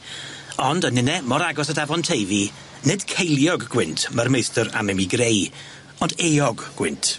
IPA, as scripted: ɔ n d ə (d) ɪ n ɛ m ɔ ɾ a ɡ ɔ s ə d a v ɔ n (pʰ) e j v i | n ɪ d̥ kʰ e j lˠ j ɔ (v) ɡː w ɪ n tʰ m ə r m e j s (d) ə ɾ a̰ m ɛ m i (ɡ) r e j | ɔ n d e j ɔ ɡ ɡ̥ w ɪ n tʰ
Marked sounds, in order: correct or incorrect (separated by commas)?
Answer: incorrect, incorrect, incorrect, incorrect, correct